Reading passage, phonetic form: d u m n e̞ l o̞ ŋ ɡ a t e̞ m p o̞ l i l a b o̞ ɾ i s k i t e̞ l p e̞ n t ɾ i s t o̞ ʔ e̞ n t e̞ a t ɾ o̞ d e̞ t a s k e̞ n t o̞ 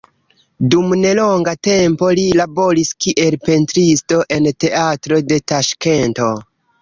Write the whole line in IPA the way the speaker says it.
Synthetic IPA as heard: d u m n e̞ l o̞ ŋ ɡ a t e̞ m p o̞ l i l a b o̞ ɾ i s k i ʔ e̞ l p e̞ n t ɾ i s t o̞ ʔ e̞ n t e̞ a t ɾ o̞ d e̞ t a ʃ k e̞ n t o̞